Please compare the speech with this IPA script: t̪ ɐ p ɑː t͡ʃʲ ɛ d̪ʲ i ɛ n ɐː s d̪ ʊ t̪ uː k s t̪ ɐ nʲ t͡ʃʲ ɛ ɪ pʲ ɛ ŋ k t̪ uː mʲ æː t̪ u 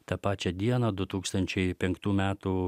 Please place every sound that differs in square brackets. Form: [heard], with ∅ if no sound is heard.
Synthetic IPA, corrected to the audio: t̪ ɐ p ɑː t͡ʃʲ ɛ d̪ʲ i ɛ n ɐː [∅] d̪ ʊ t̪ uː k s t̪ ɐ nʲ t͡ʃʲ ɛ ɪ pʲ ɛ ŋ k t̪ uː mʲ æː t̪ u